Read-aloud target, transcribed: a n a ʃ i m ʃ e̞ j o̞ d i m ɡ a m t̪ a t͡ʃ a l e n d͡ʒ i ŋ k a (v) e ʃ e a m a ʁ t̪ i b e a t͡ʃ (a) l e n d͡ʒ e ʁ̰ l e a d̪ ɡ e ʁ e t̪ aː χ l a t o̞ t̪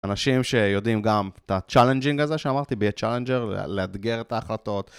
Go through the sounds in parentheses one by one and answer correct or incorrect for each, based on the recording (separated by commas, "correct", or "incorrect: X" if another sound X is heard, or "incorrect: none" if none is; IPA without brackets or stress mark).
incorrect: z, correct